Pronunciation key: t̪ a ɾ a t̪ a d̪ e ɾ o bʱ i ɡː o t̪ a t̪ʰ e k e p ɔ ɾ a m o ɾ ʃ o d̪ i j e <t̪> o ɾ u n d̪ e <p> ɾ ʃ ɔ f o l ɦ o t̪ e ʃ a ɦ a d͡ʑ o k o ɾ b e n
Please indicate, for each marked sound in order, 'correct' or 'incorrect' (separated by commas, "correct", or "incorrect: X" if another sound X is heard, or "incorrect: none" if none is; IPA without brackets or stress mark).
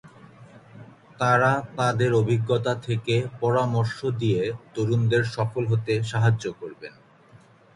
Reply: correct, incorrect: none